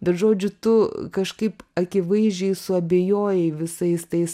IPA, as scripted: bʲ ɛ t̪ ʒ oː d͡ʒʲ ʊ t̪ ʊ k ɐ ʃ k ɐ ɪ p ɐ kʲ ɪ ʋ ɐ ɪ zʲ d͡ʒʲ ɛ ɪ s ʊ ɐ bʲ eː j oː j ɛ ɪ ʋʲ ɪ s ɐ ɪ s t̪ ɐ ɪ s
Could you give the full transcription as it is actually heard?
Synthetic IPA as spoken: bʲ ɛ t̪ ʒ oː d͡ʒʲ ʊ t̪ ʊ k ɐ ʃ k ɐ ɪ p ɐ kʲ ɪ ʋ ɐ ɪ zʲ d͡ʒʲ ɛ ɪ s ʊ ɐ bʲ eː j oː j ɛ ɪ ʋʲ ɪ s ɐ ɪ s t̪ ɐ ɪ s